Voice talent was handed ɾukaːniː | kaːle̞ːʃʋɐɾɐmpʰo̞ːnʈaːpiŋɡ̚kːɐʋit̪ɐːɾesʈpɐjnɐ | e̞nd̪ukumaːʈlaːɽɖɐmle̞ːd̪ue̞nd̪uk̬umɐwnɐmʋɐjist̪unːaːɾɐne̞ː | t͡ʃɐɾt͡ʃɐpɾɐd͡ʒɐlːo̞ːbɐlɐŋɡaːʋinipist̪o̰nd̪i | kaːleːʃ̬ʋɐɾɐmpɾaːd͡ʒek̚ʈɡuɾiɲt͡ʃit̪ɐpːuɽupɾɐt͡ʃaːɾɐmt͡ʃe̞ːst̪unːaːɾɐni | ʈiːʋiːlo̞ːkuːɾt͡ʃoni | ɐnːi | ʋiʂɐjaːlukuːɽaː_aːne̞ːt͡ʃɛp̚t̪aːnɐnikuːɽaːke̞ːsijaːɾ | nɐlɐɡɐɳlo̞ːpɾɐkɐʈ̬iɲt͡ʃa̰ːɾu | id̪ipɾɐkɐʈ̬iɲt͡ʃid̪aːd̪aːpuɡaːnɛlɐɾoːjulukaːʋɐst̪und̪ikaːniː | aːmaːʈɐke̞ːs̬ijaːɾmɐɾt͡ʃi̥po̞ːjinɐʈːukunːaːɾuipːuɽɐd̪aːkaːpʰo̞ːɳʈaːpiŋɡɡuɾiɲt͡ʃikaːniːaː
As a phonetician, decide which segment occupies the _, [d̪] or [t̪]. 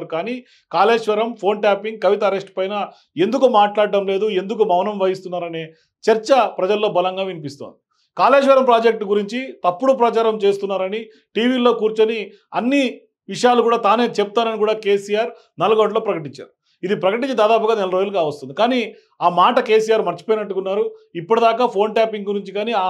t̪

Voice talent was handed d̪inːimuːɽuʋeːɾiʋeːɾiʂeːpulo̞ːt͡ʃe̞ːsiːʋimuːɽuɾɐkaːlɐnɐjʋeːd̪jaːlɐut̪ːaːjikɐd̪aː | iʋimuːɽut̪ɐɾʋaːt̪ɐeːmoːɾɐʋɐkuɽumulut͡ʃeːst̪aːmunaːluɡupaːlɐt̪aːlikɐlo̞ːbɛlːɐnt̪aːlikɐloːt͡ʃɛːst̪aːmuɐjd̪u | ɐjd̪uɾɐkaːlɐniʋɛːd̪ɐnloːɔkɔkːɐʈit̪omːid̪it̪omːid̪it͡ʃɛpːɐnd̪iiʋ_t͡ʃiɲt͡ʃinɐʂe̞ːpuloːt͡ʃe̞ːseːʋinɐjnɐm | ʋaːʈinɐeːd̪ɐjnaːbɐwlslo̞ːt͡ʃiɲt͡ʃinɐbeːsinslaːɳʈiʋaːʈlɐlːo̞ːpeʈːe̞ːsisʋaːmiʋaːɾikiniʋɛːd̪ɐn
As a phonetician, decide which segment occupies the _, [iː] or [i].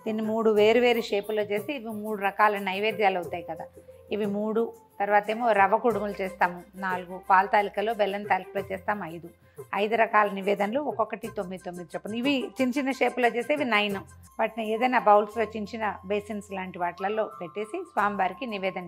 i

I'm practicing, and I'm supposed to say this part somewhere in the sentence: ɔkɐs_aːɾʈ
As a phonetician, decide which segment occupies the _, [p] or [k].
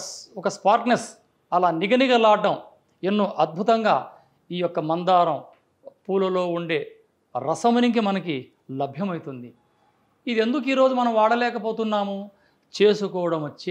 p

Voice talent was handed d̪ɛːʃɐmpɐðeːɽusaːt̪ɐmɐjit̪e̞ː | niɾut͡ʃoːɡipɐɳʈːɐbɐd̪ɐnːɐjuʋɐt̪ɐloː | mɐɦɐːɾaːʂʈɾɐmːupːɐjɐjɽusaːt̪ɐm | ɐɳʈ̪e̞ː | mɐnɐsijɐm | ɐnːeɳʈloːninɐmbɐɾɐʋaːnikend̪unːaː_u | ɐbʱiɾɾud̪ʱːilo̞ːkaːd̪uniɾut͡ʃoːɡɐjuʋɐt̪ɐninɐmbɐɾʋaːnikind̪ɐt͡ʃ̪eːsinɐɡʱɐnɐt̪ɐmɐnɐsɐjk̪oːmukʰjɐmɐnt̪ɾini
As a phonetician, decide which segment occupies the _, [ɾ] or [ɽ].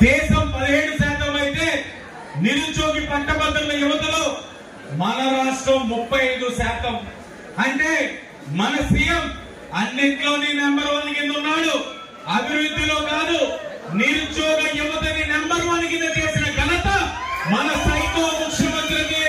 ɽ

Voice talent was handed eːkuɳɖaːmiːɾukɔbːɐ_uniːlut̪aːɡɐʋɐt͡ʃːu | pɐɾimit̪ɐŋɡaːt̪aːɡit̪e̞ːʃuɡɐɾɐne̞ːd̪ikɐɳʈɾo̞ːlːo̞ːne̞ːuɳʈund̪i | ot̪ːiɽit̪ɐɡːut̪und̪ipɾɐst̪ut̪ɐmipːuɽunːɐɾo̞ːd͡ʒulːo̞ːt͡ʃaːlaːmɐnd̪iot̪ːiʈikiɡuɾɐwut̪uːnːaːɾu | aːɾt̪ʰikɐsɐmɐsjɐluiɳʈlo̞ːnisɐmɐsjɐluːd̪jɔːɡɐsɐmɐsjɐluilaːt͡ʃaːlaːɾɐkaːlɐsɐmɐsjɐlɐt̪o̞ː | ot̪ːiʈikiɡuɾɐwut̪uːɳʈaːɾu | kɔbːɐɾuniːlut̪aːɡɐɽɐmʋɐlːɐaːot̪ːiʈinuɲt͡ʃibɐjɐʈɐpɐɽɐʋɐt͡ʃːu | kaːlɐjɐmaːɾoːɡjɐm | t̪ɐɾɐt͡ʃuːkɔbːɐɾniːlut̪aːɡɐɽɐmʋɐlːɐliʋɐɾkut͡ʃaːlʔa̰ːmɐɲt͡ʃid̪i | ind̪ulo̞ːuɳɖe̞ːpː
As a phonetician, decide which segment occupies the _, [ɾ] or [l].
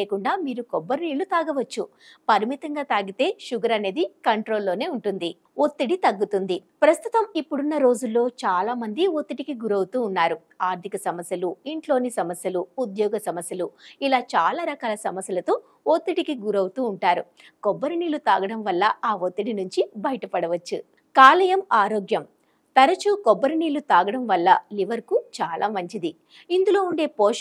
ɾ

